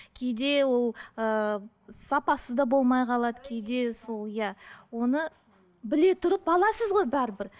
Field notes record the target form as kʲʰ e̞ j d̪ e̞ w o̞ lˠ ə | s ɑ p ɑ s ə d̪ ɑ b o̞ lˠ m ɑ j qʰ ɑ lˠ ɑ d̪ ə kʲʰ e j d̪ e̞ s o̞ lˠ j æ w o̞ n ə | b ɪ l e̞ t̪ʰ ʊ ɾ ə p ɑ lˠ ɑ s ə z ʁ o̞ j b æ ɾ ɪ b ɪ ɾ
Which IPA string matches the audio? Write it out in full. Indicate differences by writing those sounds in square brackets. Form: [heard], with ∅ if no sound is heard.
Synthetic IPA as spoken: kʲʰ e̞ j d̪ e̞ w o̞ lˠ ə | s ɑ p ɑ s ə d̪ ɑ b o̞ lˠ m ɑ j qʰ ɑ lˠ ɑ d̪ ə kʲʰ e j d̪ e̞ s o̞ lˠ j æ w o̞ n ə | b ɪ l e̞ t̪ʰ ʊ ɾ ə p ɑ lˠ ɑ s ə z ʁ o̞ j b æ ɾ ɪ b ɪ ɾ